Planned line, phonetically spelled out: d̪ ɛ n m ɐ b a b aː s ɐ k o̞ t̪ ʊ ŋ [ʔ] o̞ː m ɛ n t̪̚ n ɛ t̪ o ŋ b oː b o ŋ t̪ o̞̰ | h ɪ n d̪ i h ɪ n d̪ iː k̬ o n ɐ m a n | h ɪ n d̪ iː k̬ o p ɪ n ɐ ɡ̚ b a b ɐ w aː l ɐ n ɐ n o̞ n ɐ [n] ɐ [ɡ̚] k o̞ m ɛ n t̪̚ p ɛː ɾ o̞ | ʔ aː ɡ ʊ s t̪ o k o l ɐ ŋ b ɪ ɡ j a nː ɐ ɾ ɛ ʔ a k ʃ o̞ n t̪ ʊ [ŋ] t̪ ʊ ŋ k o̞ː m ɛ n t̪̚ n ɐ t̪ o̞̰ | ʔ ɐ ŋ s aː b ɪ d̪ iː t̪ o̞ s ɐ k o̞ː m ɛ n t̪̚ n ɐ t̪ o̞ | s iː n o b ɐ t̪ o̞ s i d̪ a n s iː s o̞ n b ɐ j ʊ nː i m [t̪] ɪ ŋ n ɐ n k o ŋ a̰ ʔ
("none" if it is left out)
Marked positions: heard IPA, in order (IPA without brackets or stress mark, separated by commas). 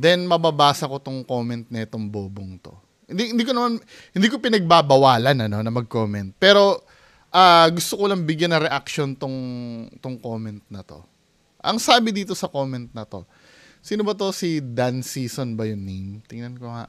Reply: k, m, ɡ̚, ŋ, t̪